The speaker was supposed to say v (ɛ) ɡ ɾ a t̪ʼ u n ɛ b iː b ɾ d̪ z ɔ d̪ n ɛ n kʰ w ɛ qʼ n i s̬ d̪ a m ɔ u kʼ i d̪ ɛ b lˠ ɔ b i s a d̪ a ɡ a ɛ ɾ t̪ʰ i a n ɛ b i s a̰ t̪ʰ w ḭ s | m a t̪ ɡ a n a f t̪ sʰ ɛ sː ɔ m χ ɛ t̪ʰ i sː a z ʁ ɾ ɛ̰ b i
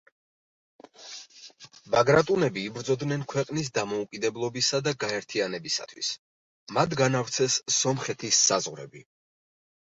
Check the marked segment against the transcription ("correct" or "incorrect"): incorrect